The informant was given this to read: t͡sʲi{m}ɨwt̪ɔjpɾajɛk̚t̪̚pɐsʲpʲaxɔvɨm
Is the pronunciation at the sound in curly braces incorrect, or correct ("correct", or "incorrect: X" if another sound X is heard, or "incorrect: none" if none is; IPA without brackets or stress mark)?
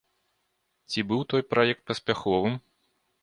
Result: incorrect: b